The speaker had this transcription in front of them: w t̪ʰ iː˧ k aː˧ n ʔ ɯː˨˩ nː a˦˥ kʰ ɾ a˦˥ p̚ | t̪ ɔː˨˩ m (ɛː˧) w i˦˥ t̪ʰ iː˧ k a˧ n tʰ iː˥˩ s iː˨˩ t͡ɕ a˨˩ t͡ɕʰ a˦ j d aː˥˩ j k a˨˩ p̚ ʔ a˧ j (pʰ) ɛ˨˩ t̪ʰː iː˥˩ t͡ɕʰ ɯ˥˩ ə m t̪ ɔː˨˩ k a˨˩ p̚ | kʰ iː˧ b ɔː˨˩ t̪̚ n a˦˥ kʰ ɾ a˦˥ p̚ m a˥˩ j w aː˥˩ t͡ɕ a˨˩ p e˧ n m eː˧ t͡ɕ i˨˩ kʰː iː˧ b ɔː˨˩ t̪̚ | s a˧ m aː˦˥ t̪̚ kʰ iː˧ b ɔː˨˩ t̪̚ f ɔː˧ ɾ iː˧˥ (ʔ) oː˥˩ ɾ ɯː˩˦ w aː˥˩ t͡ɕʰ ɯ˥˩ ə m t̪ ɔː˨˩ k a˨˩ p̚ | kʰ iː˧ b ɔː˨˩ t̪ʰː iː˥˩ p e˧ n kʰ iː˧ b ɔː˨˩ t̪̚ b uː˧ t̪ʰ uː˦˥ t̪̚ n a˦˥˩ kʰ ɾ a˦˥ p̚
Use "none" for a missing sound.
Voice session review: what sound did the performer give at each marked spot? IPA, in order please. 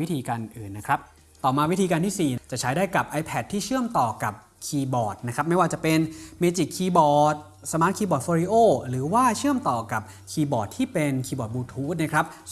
aː˧, pʰ, ʔ

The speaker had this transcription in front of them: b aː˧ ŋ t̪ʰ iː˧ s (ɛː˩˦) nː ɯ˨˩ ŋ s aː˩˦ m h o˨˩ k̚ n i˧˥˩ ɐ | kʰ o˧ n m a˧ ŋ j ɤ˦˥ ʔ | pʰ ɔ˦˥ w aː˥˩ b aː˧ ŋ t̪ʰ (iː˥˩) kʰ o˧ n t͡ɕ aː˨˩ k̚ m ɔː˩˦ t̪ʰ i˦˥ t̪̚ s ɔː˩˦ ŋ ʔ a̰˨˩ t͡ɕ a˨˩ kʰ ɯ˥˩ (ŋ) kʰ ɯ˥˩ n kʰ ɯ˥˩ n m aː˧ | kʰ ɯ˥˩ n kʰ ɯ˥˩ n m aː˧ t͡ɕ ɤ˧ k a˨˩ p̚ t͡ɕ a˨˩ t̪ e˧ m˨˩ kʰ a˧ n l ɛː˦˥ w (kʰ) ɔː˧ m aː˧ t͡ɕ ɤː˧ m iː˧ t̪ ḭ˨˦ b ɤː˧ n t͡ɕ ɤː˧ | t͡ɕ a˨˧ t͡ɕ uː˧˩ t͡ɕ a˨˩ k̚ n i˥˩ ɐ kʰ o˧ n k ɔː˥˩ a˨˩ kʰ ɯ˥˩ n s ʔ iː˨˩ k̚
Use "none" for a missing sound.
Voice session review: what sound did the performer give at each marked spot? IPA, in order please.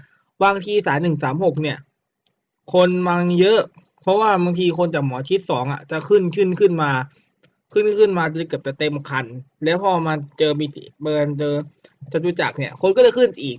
aː˩˦, iː˧, n, pʰ

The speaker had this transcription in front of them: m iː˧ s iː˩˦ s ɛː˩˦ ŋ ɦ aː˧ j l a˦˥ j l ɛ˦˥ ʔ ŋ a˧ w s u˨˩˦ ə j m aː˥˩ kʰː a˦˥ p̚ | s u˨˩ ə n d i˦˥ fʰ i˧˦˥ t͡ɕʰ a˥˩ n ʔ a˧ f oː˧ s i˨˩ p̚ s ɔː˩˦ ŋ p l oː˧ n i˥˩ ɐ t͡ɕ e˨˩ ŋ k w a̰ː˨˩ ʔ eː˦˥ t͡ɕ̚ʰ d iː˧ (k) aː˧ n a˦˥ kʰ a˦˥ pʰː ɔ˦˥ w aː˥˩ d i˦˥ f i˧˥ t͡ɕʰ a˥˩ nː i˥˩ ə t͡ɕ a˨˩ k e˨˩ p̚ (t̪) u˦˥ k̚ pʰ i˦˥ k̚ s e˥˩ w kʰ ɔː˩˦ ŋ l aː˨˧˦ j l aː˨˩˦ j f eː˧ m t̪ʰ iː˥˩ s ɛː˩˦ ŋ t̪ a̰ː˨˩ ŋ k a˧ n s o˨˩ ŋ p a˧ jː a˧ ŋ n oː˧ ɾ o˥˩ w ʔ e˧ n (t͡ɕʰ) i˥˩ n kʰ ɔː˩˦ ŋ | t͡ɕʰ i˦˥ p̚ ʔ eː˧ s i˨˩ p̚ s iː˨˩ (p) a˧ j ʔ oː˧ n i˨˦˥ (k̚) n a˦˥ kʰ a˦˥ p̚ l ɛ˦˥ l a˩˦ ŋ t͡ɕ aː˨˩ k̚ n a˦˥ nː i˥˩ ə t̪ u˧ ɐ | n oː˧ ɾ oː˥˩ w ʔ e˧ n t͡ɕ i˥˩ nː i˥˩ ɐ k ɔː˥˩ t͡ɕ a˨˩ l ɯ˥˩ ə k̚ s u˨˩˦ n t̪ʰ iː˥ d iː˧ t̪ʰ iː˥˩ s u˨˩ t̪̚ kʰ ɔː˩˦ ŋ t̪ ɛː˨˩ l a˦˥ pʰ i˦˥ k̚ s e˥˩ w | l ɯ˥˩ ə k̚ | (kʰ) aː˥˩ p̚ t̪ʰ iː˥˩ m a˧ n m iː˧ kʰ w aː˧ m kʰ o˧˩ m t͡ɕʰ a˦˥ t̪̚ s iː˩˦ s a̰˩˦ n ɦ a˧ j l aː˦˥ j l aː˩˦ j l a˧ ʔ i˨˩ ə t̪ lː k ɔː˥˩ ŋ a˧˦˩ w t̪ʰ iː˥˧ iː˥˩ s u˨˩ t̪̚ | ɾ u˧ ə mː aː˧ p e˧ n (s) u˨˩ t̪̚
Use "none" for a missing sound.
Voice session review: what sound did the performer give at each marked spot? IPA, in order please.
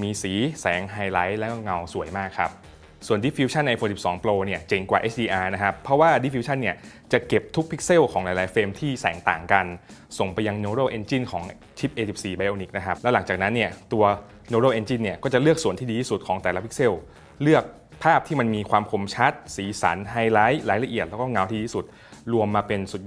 ʔ, t̪ʰ, t͡ɕ, b, k̚, pʰ, s

